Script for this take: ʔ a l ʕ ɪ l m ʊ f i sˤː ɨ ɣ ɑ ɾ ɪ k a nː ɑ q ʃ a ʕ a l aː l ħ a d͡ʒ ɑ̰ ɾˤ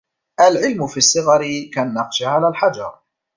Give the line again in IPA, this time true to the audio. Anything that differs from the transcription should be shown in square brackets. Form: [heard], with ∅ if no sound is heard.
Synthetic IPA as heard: ʔ a l ʕ ɪ l m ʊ f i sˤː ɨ ɣ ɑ ɾ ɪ k a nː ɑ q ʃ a ʕ a l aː l ħ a d͡ʒ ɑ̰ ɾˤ